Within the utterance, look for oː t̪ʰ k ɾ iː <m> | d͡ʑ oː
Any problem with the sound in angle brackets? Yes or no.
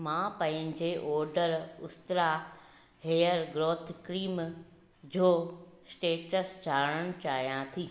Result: no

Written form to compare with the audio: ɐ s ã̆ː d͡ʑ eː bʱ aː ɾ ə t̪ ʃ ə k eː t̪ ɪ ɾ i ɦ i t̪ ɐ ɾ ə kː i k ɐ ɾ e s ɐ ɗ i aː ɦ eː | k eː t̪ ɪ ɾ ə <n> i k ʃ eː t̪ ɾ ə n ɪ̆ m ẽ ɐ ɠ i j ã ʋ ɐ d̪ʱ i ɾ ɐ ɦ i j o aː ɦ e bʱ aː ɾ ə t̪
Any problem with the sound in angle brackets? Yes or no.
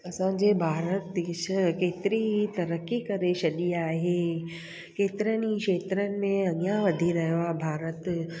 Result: no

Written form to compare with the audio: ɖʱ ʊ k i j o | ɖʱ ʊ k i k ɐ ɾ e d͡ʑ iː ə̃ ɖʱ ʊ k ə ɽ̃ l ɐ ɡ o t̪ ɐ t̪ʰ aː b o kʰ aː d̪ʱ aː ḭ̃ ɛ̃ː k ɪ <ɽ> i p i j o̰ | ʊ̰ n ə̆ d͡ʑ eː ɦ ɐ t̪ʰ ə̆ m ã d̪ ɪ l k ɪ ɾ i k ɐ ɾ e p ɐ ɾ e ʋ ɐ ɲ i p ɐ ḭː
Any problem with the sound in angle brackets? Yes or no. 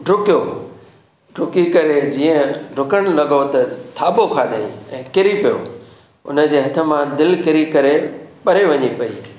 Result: yes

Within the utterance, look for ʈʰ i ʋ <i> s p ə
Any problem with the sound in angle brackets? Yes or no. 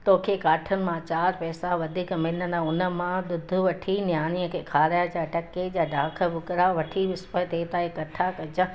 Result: yes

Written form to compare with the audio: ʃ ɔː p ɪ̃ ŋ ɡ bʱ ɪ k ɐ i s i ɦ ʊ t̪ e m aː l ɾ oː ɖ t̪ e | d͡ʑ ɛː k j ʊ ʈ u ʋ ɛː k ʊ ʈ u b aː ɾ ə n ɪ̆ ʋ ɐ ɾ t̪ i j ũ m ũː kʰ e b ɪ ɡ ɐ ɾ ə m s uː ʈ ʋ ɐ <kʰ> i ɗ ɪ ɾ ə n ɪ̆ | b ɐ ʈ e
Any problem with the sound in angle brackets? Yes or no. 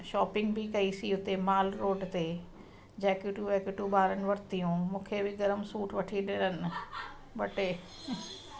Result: yes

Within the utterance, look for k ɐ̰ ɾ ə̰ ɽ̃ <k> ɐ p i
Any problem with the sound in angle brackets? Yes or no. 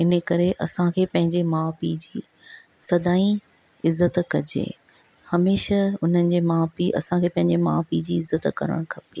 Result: yes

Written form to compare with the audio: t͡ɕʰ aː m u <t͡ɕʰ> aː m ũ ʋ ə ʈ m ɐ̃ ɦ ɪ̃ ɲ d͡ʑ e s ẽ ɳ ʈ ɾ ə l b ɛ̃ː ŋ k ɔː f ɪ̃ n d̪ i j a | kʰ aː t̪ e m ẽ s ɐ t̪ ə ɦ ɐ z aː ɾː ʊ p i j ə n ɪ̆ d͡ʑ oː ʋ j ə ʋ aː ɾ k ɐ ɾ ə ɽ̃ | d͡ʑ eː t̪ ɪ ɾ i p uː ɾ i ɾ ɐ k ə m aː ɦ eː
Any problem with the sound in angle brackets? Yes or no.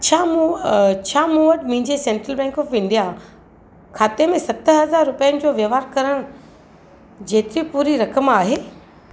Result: no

